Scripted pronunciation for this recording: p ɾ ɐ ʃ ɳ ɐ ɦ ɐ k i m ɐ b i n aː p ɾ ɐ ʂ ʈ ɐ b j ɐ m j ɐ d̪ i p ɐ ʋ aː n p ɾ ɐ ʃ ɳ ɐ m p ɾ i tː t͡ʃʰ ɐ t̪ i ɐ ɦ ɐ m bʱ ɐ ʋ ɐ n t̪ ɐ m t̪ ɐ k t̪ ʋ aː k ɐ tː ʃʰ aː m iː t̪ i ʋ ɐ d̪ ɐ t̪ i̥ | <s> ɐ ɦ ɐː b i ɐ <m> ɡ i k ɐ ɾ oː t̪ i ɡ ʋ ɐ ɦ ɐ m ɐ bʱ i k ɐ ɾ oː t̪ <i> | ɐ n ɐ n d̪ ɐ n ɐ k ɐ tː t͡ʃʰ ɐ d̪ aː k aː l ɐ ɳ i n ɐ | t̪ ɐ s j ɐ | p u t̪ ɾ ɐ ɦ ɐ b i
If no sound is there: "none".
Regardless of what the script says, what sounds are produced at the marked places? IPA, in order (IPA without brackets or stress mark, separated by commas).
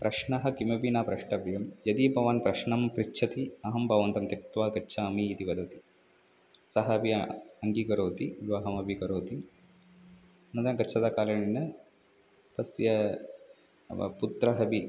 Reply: s, ŋ, i